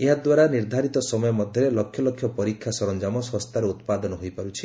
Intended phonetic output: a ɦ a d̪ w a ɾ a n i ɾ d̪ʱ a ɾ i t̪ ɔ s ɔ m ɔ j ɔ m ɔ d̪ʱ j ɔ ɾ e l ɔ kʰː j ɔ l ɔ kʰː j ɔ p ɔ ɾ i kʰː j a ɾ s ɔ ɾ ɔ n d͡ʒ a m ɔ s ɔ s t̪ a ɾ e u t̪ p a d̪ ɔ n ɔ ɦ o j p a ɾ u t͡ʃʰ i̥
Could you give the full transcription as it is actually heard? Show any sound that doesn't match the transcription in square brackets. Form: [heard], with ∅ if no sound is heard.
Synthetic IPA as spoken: [e] ɦ a d̪ w a ɾ a n i ɾ d̪ʱ a ɾ i t̪ ɔ s ɔ m ɔ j ɔ m ɔ d̪ʱ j ɔ ɾ e l ɔ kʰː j ɔ l ɔ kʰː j ɔ p ɔ ɾ i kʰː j a [∅] s ɔ ɾ ɔ n d͡ʒ a m ɔ s ɔ s t̪ a ɾ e u t̪ p a d̪ ɔ n ɔ ɦ o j p a ɾ u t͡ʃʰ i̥